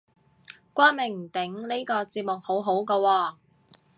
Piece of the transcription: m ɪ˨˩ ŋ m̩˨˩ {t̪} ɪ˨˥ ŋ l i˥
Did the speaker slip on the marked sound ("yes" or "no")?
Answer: no